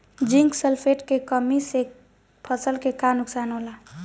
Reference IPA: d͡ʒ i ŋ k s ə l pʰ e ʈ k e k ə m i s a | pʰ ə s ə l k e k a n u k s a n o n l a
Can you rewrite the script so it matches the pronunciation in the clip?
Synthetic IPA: d͡ʒ i ŋ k s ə l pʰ e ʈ k e k ə m i s e | pʰ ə s ə l k e k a n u k s a n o l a